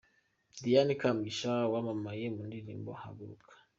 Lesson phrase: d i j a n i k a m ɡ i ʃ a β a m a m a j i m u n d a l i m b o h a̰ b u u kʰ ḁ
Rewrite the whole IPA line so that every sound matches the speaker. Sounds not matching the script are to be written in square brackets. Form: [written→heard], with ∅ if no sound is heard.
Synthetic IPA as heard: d i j a n i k a m ɡ i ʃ a [β→w] a m a m a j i m u n d [a→i] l i m b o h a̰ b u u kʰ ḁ

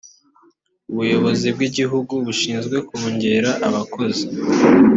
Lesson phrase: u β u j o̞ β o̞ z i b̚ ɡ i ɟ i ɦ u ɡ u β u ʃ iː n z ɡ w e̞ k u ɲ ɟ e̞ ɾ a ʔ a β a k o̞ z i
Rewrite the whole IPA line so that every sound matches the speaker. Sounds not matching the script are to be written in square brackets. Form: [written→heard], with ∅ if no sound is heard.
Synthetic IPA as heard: u β u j o̞ β o̞ z i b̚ ɡ i ɟ i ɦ u ɡ u β u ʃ iː n z ɡ w e̞ k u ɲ ɟ e̞ ɾ a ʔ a β a k o̞ z i

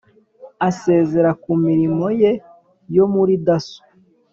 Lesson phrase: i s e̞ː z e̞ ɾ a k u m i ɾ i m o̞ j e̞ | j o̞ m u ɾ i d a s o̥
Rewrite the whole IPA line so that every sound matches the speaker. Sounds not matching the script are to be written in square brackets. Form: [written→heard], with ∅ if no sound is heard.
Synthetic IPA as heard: [i→a] s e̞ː z e̞ ɾ a k u m i ɾ i m o̞ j e̞ | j o̞ m u ɾ i d a s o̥

